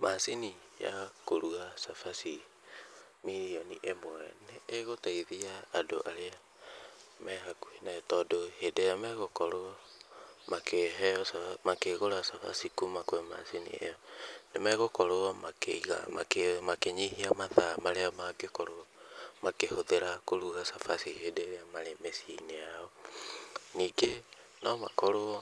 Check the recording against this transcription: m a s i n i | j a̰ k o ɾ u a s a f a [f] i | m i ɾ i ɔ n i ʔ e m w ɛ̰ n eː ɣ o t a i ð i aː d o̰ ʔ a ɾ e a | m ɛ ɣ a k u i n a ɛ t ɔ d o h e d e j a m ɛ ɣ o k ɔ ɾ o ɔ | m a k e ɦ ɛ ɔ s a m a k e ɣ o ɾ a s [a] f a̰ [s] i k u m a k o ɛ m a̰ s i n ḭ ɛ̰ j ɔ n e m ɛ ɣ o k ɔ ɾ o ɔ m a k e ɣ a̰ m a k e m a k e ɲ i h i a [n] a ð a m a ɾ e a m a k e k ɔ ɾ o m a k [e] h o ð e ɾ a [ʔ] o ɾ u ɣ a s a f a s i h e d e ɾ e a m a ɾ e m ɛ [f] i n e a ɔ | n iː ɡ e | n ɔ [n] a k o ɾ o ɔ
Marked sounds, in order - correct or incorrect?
incorrect, correct, correct, incorrect, correct, incorrect, incorrect, incorrect

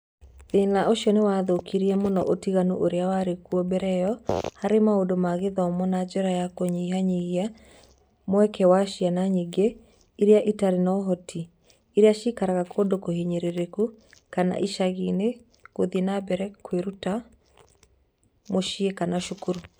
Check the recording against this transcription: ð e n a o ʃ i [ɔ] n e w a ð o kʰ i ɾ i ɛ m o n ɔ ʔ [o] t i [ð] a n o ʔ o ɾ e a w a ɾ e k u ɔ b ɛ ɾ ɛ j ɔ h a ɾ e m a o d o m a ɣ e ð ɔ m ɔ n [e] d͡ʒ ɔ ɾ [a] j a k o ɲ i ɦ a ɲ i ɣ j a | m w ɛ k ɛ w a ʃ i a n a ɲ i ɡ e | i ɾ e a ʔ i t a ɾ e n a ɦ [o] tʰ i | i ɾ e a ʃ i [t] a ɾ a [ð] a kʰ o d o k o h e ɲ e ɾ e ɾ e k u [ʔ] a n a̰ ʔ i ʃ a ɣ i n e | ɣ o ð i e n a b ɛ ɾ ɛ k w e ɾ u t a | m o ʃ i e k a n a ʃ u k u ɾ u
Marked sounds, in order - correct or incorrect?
correct, correct, incorrect, incorrect, correct, incorrect, incorrect, incorrect, incorrect

